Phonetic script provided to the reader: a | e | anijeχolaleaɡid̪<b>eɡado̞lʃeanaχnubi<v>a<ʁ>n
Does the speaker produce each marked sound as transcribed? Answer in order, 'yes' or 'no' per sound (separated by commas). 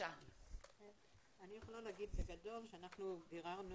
yes, no, yes